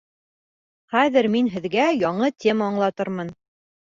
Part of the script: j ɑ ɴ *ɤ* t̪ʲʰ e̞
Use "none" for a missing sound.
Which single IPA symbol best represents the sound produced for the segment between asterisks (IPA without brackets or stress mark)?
ɤ